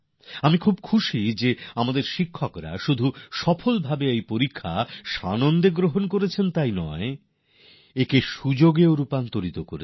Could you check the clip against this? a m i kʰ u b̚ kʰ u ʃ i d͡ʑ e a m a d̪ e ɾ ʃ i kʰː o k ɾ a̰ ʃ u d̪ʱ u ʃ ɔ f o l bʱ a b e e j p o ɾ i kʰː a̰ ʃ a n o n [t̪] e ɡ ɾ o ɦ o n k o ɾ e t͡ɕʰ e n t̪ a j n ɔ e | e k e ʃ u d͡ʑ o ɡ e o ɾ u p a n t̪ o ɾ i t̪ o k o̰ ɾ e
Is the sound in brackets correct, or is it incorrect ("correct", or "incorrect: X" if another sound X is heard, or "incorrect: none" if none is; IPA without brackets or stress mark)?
incorrect: d̪